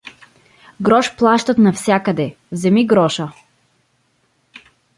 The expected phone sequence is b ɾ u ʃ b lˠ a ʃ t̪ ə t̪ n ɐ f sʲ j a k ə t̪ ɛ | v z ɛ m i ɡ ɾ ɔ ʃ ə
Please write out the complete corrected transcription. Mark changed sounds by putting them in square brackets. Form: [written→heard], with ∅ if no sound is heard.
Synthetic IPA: [b→ɡ] ɾ [u→ɔ] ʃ [b→p] lˠ a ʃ t̪ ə t̪ n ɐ f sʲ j a k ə [t̪→d̪] ɛ | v z ɛ m i ɡ ɾ ɔ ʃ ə